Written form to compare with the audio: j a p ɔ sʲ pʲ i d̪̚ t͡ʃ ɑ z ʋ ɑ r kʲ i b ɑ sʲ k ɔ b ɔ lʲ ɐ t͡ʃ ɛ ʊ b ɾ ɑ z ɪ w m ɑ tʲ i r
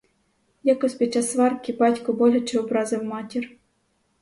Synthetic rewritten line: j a k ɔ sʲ pʲ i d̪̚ t͡ʃ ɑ s ʋ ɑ r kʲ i b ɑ tʲ k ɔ b ɔ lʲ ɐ t͡ʃ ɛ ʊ b ɾ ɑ z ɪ w m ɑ tʲ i r